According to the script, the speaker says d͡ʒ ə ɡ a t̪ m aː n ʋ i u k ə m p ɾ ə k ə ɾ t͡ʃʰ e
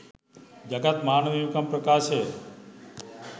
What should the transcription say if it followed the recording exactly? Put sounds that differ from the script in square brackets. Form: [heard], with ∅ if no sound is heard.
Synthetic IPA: d͡ʒ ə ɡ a t̪ m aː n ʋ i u k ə m p ɾ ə k [a] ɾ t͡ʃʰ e